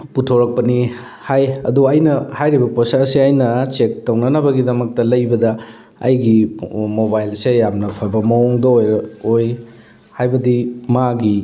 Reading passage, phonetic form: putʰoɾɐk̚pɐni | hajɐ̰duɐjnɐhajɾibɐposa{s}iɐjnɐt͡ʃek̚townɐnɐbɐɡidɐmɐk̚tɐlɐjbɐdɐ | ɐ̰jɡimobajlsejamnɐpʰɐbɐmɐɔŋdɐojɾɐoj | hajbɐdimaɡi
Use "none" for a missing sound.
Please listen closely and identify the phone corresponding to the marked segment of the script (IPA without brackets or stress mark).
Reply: s